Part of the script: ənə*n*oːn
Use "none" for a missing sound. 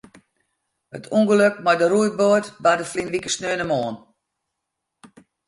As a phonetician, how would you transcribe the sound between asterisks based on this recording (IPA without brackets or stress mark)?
m